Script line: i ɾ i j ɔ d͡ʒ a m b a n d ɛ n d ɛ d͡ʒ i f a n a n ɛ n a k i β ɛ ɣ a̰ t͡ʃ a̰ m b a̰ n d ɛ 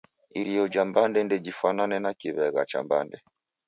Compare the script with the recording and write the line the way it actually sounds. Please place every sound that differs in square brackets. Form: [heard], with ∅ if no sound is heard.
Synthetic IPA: i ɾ i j ɔ d͡ʒ a m b a n d ɛ n d ɛ d͡ʒ i f a n a n ɛ n a k i β ɛ ɣ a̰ t͡ʃ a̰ m b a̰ n d ɛ